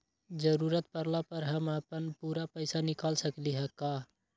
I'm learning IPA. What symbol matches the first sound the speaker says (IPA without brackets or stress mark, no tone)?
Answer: d͡ʒ